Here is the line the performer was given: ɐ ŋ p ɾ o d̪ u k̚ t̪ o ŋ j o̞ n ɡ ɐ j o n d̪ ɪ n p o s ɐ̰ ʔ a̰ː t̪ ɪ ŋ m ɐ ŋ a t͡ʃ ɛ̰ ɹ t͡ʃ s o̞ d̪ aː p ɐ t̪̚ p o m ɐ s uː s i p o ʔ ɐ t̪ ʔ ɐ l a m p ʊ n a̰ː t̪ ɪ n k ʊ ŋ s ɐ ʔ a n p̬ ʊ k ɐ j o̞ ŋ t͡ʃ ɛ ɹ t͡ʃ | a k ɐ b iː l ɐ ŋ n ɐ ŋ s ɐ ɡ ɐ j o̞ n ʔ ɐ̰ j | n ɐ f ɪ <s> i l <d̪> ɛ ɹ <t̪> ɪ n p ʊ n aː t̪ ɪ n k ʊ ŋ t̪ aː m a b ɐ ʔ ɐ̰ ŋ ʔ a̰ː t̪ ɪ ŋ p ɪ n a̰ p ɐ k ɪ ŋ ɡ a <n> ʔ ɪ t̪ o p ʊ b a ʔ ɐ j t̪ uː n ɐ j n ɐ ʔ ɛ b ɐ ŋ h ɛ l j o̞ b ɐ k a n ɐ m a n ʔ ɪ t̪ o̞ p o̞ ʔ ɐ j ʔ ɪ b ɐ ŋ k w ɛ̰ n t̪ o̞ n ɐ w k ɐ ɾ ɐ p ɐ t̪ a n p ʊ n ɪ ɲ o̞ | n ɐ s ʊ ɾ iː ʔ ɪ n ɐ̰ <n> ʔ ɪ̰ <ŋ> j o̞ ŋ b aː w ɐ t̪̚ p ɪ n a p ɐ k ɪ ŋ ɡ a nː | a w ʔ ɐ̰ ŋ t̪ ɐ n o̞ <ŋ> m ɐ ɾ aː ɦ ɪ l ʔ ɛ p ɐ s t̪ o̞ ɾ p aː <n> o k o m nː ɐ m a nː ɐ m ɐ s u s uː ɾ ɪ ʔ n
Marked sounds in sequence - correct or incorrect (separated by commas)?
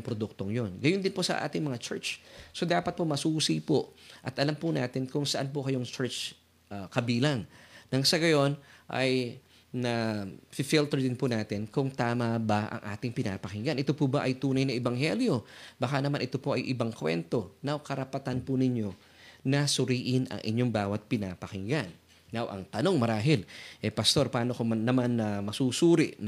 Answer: incorrect, incorrect, incorrect, correct, incorrect, incorrect, correct, correct